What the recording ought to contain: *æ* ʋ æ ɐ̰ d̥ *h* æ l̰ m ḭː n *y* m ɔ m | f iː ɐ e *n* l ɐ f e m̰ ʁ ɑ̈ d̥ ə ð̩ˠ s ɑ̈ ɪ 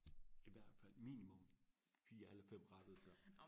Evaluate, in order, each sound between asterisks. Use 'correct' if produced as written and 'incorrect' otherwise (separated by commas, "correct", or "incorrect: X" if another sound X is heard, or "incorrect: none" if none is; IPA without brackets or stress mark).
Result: incorrect: i, incorrect: f, incorrect: i, incorrect: none